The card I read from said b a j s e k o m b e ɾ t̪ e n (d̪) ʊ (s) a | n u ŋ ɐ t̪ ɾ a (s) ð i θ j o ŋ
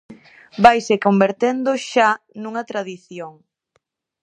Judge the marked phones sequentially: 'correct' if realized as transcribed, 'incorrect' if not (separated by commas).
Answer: correct, incorrect, incorrect